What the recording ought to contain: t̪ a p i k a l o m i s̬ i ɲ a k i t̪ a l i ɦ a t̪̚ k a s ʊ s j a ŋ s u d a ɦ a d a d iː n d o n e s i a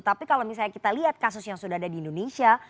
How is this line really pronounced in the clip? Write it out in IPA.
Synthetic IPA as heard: t̪ a p i k a l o m i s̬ a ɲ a k i t̪ a l i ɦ a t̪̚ k a s ʊ s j a ŋ s u d a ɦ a d a d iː n d o n e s i a